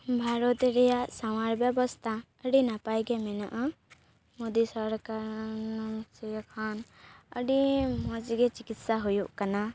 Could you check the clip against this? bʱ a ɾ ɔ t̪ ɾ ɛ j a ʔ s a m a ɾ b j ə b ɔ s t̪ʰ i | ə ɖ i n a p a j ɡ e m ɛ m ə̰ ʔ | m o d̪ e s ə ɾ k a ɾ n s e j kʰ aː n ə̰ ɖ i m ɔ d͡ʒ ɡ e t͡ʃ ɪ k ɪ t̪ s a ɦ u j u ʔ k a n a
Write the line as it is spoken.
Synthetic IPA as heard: bʱ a ɾ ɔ t̪ ɾ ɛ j a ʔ s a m a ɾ b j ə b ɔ s t̪ʰ a | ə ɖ i n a p a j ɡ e m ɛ n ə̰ ʔ | m o d̪ i s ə ɾ k a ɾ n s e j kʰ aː n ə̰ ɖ i m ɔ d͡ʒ ɡ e t͡ʃ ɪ k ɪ t̪ s a ɦ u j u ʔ k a n a